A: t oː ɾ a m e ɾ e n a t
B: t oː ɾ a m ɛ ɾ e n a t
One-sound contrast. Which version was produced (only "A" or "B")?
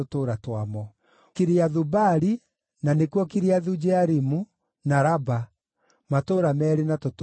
B